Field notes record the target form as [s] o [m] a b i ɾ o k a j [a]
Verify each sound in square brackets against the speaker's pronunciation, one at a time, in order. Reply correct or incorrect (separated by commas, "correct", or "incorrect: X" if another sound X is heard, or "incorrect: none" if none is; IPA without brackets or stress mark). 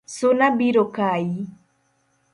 correct, incorrect: n, incorrect: i